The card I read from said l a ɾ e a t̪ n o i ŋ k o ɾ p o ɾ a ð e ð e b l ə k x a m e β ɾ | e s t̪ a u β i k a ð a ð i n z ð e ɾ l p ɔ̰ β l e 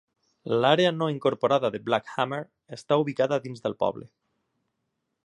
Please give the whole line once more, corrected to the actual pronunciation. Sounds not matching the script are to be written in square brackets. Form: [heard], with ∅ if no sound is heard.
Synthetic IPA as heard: l a ɾ e a [∅] n o i ŋ k o ɾ p o ɾ a ð [a] ð e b l [a] k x a m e [∅] ɾ | e s t̪ a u β i k a ð a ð i n z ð e [∅] l p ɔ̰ β l e